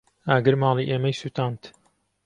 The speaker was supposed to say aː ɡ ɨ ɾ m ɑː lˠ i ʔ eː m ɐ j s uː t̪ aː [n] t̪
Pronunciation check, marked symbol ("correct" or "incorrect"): correct